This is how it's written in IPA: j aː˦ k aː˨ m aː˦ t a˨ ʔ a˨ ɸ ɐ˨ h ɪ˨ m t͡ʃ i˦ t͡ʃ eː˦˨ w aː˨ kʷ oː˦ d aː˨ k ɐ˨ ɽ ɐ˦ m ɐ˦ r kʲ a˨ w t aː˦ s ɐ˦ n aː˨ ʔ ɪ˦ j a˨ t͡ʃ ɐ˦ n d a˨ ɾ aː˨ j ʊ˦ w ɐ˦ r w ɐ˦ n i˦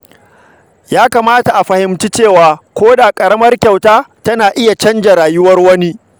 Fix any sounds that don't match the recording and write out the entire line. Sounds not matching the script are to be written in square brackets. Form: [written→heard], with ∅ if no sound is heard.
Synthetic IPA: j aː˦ k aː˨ m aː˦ t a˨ ʔ a˨ ɸ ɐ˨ h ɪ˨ m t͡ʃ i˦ t͡ʃ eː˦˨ w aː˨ kʷ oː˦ d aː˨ [k→kʼ] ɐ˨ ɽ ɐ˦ m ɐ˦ r kʲ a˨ w t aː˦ [s→t] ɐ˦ n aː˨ ʔ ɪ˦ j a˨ t͡ʃ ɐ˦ n [d→d͡ʒ] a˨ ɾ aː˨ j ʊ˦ w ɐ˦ r w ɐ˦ n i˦